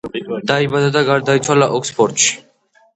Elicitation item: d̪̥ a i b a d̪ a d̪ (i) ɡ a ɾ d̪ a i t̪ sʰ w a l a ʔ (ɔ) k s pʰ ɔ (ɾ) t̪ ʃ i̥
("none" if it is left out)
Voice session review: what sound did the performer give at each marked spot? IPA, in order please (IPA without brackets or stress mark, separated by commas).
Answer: a, ɔ, ɾ